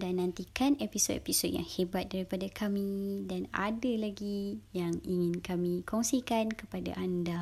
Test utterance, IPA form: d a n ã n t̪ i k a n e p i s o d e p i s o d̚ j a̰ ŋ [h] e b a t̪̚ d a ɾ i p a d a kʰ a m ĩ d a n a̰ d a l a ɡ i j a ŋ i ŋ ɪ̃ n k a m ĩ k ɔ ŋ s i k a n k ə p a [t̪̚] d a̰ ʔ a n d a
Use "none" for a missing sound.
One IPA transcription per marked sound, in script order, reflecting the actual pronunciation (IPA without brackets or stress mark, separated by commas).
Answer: h, none